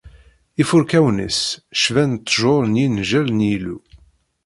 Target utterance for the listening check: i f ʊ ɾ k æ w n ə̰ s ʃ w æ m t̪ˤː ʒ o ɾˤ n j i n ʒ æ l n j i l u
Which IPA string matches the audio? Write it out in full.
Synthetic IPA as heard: i f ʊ ɾ k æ w n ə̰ s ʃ v æ n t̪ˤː ʒ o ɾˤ n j i n ʒ æ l n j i l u